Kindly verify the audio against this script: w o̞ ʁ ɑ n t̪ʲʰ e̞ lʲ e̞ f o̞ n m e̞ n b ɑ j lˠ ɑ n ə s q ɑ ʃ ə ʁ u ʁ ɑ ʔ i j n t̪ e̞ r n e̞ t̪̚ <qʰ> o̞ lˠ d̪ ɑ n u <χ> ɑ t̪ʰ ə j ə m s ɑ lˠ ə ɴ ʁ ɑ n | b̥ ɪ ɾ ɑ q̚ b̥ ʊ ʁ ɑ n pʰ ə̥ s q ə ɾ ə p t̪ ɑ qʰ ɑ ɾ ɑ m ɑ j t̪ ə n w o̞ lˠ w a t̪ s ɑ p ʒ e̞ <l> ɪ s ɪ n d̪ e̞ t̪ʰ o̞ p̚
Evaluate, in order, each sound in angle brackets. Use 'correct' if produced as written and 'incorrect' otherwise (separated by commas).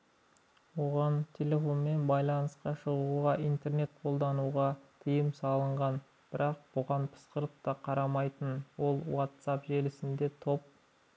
correct, incorrect, correct